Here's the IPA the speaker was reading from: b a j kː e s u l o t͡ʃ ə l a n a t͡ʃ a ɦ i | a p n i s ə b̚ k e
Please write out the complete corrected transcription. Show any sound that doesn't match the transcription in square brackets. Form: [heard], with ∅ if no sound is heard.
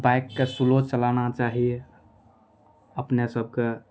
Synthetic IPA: b a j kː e s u l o t͡ʃ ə l a n a t͡ʃ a ɦ i | [ə] p n [e] s ə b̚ k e